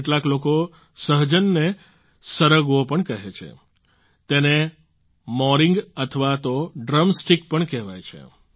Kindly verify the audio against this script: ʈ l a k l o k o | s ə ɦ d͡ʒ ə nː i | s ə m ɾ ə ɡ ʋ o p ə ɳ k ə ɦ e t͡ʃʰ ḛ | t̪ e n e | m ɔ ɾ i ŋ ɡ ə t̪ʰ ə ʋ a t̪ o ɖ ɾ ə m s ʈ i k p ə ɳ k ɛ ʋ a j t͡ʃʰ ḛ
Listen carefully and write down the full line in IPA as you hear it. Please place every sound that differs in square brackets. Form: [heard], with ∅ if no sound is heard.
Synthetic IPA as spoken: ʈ l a k l o k o | s ə ɦ d͡ʒ ə nː [e] | s ə [∅] ɾ ə ɡ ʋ o p ə ɳ k ə ɦ e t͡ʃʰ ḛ | t̪ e n e | m ɔ ɾ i ŋ ɡ ə t̪ʰ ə ʋ a t̪ o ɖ ɾ ə m s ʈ i k p ə ɳ k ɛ ʋ a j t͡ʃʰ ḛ